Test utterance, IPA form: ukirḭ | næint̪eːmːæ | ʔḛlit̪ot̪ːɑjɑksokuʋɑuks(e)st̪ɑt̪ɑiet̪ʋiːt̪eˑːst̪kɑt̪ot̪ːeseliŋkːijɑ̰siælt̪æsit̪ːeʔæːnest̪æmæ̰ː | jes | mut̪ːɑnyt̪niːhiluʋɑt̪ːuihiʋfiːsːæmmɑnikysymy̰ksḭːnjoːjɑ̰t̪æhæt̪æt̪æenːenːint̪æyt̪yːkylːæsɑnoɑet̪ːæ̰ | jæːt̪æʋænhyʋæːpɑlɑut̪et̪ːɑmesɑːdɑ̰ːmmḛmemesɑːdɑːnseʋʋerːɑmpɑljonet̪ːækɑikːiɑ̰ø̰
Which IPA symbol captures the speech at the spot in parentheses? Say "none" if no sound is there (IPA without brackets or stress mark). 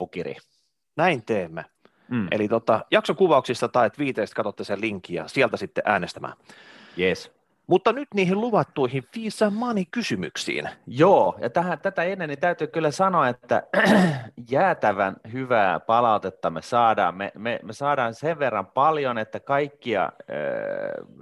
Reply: i